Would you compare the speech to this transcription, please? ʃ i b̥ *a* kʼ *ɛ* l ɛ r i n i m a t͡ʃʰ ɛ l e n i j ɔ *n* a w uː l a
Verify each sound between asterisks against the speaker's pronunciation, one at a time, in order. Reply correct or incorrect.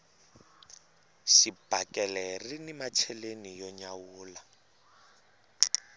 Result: correct, correct, incorrect

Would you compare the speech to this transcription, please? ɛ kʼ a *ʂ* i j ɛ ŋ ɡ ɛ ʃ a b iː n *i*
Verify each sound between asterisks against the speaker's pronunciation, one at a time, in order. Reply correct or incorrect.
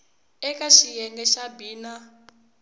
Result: incorrect, incorrect

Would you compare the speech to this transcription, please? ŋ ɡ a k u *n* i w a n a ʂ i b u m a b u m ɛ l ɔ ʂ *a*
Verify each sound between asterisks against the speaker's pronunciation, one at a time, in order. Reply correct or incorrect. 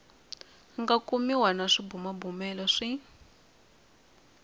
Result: incorrect, incorrect

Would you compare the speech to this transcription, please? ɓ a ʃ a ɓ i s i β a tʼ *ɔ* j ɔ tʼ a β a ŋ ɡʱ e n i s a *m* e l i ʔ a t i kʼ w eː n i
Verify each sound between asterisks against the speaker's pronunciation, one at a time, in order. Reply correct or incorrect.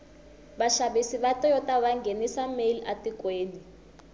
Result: correct, correct

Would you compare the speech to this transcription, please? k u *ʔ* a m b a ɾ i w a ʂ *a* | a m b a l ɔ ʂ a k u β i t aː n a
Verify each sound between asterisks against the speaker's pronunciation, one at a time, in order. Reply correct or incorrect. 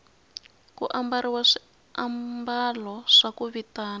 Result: correct, incorrect

